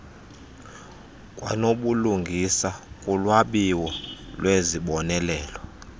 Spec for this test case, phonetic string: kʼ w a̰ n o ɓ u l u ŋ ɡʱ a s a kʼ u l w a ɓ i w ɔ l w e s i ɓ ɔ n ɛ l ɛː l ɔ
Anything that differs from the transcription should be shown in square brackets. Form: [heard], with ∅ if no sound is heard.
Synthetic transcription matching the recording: kʼ w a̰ n o ɓ u l u ŋ ɡʱ [i] s a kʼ u l w a ɓ i w ɔ l w e [z] i ɓ ɔ n ɛ l ɛː l ɔ